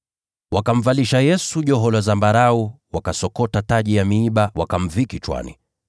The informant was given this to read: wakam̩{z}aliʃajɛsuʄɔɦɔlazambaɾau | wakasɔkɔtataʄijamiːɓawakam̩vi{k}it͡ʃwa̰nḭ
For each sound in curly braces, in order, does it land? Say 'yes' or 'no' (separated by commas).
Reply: no, yes